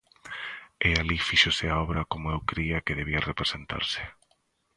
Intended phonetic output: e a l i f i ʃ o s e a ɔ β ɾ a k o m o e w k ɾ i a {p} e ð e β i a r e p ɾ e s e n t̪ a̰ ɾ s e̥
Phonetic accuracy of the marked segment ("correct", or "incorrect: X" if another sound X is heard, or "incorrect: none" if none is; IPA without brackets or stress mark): incorrect: k